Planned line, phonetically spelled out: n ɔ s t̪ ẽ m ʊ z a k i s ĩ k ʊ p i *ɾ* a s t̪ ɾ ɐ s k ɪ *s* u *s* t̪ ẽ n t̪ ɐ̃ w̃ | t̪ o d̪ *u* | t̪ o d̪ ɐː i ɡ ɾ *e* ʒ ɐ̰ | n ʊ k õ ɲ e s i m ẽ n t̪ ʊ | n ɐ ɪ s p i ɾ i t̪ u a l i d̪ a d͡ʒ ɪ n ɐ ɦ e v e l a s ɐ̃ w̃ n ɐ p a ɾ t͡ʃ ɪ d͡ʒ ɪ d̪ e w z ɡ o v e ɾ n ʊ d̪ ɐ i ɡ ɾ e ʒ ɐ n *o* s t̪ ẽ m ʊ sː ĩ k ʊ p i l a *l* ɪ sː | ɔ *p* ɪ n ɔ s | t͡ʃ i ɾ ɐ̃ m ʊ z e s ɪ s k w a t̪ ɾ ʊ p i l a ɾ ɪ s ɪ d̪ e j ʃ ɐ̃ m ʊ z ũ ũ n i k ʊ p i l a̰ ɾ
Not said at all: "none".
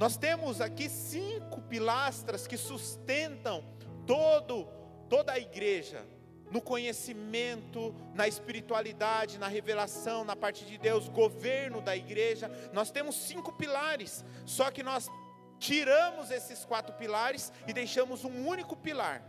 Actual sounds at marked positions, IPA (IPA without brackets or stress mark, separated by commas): l, s, s, ʊ, e, ɔ, ɾ, k